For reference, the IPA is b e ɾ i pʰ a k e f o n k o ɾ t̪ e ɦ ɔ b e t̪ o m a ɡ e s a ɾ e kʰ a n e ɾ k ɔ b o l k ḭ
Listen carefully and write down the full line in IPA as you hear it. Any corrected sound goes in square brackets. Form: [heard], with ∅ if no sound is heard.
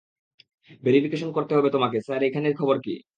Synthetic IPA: b e ɾ i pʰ [i] k e [ʃ] o n k o ɾ t̪ e ɦ ɔ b e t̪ o m a [k] e s a ɾ e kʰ a n e ɾ [kʰ] ɔ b o [ɾ] k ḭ